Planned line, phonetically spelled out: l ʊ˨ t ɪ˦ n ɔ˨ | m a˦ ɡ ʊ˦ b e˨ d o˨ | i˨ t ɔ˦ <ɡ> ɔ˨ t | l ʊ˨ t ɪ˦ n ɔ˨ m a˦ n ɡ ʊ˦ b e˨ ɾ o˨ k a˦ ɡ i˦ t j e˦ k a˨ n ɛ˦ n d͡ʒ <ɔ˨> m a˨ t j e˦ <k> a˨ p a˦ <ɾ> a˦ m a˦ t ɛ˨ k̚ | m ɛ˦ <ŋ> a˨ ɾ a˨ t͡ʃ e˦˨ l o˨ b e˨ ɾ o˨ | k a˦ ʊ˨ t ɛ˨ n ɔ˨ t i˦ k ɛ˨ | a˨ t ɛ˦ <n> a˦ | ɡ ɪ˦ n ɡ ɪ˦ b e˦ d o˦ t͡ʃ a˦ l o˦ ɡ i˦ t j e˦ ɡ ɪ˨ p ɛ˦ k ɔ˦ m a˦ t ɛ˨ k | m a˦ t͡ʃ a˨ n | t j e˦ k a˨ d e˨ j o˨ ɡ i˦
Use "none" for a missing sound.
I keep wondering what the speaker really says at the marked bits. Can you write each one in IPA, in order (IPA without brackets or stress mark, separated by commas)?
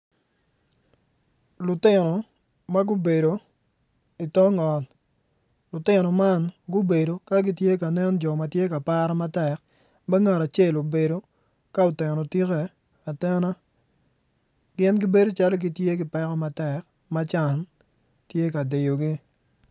ŋ, ɔ˨, k, ɾ, ŋ, n